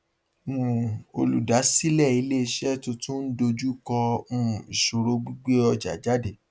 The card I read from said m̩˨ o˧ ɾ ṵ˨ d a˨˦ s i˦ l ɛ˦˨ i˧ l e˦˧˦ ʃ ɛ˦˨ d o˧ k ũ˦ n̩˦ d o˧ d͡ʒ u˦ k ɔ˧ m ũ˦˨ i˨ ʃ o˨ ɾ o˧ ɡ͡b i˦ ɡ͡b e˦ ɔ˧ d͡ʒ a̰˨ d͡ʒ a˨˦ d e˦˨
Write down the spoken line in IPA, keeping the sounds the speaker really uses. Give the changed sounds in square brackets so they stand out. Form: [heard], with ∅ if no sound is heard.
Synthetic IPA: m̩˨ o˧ [l] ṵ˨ d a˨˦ s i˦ l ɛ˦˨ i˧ l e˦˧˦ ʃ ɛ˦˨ [t] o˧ [t] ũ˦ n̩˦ d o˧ d͡ʒ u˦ k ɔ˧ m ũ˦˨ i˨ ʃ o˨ ɾ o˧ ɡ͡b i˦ ɡ͡b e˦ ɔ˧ d͡ʒ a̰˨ d͡ʒ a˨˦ d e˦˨